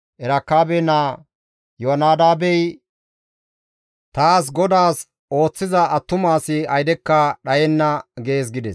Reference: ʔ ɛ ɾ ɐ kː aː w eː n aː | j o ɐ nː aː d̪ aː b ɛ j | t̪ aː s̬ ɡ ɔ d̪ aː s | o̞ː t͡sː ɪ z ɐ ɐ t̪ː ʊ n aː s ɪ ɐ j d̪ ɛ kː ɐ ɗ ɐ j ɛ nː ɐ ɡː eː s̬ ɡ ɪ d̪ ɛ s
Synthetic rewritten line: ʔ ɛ ɾ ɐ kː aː b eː n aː | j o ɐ n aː d̪ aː b ɛ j | t̪ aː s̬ ɡ ɔ d̪ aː s | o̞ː t͡sː ɪ z ɐ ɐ t̪ː ʊ m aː s ɪ ɐ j d̪ ɛ kː ɐ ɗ ɐ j ɛ nː ɐ ɡ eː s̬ ɡ ɪ d̪ ɛ s